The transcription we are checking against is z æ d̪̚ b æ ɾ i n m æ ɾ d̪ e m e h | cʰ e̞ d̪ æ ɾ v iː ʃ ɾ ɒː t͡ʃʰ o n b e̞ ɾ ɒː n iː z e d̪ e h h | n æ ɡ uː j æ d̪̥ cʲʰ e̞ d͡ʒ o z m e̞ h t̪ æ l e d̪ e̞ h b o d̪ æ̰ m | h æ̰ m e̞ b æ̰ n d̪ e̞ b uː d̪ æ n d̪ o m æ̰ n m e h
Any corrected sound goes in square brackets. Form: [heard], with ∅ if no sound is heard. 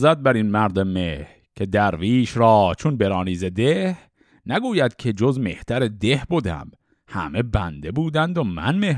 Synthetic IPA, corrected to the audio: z æ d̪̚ b æ ɾ i n m æ ɾ d̪ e m e h | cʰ e̞ d̪ æ ɾ v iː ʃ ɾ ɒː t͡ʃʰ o n b e̞ ɾ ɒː n iː z e d̪ e h h | n æ ɡ uː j æ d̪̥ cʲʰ e̞ d͡ʒ o z m e̞ h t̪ æ [ɾ] e d̪ e̞ h b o d̪ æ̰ m | h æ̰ m e̞ b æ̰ n d̪ e̞ b uː d̪ æ n d̪ o m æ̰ n m e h